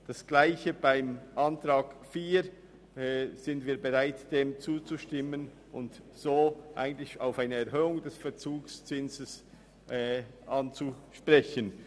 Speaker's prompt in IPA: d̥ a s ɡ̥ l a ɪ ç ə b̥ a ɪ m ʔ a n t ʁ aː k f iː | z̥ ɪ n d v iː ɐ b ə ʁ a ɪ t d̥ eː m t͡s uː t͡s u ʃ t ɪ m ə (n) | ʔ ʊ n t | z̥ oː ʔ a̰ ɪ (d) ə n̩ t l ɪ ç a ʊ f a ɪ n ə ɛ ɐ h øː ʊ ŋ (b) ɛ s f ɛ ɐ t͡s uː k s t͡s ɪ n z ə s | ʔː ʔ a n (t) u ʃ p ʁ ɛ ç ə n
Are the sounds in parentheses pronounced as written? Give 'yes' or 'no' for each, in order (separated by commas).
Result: yes, no, no, no